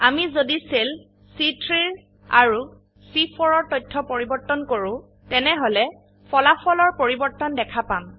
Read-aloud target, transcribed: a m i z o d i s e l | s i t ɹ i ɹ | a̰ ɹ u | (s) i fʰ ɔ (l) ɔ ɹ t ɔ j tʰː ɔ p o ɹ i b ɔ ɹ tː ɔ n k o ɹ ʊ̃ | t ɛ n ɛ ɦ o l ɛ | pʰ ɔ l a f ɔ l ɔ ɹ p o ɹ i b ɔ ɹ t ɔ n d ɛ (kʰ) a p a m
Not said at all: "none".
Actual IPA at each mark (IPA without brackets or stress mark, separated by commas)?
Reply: s, ɹ, kʰ